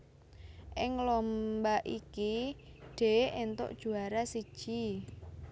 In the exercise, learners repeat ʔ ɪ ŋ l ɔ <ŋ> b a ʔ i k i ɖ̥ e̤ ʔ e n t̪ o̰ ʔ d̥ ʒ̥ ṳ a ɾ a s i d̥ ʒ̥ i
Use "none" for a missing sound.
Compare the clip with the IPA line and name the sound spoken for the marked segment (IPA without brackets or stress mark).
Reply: m